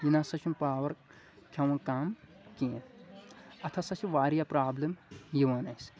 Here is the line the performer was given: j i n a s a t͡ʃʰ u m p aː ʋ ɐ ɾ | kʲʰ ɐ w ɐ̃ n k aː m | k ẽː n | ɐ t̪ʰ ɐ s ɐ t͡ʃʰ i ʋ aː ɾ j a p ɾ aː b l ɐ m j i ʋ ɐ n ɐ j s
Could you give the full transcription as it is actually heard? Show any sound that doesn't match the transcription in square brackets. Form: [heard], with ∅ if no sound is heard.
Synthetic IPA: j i n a s [ɐ] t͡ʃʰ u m p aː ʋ ɐ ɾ | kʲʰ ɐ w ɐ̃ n k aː m | k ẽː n | ɐ t̪ʰ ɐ s ɐ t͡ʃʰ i ʋ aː ɾ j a p ɾ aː b l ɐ m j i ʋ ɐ n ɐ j s